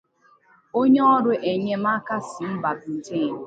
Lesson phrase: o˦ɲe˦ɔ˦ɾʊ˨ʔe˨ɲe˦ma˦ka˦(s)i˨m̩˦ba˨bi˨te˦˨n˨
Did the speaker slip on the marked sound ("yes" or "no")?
no